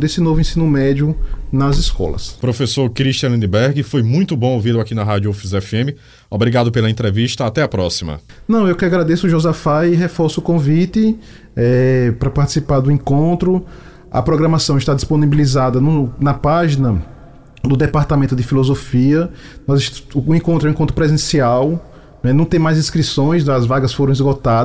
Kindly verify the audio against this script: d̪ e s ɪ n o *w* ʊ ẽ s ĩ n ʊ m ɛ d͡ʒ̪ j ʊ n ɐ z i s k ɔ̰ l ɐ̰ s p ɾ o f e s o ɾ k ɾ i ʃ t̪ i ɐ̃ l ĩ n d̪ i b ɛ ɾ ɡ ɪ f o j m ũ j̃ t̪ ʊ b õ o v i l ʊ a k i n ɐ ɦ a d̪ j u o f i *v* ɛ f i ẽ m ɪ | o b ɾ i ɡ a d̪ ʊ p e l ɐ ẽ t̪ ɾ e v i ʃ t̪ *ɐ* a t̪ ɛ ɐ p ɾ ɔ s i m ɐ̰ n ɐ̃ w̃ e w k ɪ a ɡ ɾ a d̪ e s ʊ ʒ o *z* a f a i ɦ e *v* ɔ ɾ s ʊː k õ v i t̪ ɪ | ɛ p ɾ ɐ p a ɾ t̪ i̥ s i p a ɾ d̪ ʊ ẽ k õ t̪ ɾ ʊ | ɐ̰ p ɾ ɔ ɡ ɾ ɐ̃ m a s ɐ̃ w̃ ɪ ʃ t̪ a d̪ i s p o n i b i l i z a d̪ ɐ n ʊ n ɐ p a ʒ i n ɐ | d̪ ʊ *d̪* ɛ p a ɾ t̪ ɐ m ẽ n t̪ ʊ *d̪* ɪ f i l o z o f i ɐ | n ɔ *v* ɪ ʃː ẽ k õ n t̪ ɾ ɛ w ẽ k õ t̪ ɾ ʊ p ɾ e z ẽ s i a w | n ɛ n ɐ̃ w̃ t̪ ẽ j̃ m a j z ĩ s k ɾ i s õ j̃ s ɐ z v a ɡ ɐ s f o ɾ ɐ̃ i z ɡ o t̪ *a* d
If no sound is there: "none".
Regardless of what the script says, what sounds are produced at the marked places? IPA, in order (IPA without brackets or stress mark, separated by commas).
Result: v, z, ɐ, z, f, d̪, d̪, z, a